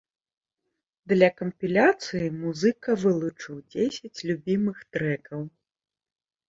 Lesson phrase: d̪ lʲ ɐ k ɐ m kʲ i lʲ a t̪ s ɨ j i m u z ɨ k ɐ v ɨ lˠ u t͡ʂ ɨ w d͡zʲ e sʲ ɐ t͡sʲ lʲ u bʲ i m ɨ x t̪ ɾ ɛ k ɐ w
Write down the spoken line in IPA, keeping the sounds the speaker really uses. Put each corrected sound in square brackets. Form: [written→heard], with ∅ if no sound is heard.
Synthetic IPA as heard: d̪ lʲ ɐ k ɐ m [kʲ→pʲ] i lʲ a t̪ s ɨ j i m u z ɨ k ɐ v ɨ lˠ u t͡ʂ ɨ w d͡zʲ e sʲ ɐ t͡sʲ lʲ u bʲ i m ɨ x t̪ ɾ ɛ k ɐ w